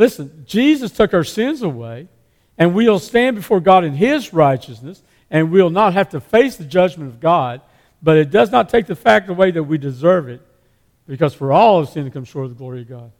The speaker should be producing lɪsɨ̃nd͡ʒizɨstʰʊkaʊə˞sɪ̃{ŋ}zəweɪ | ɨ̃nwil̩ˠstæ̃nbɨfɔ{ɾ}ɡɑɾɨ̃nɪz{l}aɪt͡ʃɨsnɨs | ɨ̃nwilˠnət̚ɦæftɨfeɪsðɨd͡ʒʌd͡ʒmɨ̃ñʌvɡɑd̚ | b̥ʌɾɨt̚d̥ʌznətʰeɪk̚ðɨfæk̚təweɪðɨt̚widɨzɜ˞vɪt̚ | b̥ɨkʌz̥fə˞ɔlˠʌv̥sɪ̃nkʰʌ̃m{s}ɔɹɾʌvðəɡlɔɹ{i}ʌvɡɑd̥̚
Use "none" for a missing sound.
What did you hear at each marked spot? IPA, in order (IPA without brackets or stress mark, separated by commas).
n, ɹ, ɹ, ʃ, i